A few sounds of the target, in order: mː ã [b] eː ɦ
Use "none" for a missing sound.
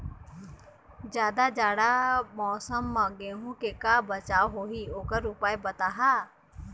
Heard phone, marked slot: ɡ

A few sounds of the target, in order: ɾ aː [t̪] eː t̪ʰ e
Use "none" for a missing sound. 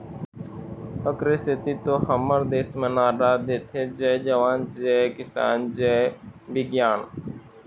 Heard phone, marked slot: d̪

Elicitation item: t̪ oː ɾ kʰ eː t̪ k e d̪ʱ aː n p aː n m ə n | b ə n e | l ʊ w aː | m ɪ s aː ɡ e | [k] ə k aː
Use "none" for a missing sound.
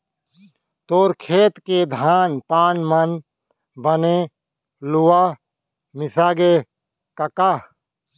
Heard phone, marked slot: k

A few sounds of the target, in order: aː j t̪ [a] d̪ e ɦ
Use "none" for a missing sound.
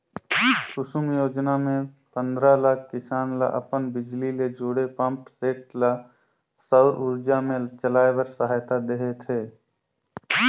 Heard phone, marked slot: a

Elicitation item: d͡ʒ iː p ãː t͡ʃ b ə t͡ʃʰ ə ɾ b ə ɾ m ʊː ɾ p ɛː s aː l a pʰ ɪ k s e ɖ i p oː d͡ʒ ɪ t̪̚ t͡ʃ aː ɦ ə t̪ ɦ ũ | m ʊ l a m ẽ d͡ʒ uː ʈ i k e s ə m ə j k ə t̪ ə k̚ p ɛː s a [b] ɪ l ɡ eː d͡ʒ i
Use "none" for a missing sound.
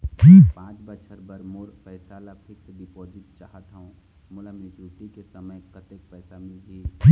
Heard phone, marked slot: m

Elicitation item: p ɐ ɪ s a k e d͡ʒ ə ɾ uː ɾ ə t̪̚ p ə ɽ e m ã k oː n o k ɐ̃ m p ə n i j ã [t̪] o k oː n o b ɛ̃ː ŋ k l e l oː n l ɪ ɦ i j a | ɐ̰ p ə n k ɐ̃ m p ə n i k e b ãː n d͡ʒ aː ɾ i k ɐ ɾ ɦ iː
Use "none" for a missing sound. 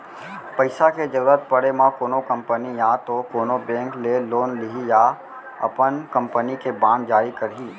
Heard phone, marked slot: t̪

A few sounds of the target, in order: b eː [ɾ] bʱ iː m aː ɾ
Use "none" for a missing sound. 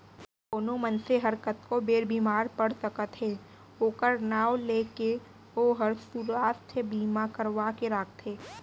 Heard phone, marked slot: ɾ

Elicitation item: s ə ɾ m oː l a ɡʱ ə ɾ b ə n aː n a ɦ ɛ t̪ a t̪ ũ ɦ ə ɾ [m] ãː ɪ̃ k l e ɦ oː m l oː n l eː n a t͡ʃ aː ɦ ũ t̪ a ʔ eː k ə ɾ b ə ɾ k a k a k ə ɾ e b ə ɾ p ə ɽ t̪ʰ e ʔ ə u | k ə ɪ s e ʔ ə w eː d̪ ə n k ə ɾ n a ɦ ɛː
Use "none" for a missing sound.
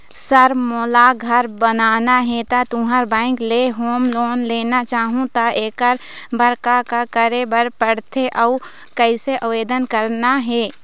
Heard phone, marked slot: b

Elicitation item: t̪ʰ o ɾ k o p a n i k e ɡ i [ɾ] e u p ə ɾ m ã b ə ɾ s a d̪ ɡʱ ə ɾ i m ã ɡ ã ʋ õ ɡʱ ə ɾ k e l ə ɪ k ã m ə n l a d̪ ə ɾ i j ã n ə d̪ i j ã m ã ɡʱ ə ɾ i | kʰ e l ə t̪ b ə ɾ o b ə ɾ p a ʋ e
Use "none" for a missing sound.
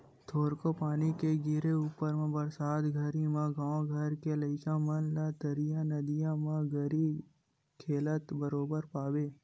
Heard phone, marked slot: ɾ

